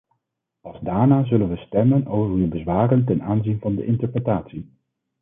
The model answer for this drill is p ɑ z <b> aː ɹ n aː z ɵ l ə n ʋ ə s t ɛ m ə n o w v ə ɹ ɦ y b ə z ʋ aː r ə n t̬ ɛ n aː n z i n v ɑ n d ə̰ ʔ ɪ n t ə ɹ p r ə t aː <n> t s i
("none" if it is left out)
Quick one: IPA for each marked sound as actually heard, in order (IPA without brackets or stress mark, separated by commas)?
d, none